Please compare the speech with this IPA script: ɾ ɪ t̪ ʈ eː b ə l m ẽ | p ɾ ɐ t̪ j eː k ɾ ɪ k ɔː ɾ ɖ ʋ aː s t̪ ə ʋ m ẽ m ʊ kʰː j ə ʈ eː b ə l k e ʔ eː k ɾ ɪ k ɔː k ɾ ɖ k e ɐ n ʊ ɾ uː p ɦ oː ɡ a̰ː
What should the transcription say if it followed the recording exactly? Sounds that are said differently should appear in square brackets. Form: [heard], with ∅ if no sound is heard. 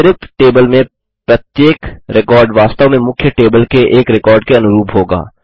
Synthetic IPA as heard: ɾ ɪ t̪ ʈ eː b ə l m ẽ | p ɾ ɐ t̪ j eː k ɾ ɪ k ɔː ɾ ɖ ʋ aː s t̪ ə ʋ m ẽ m ʊ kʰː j ə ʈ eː b ə l k e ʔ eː k ɾ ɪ k ɔː [∅] ɾ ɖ k e ɐ n ʊ ɾ uː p ɦ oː ɡ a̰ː